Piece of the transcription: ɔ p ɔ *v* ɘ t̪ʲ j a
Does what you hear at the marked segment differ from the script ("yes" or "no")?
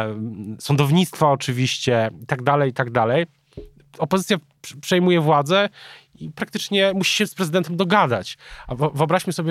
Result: yes